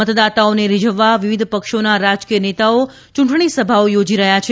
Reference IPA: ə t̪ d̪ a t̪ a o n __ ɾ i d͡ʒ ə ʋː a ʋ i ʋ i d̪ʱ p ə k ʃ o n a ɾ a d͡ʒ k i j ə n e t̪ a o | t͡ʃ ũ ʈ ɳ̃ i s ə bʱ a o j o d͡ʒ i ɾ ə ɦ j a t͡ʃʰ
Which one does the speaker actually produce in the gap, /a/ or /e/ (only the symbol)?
e